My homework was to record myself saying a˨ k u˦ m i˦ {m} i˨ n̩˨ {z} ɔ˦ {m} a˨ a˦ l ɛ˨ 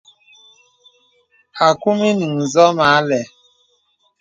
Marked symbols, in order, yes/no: no, yes, yes

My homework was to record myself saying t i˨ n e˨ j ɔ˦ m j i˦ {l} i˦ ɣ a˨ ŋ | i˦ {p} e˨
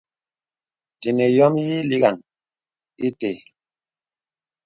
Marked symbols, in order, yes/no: yes, no

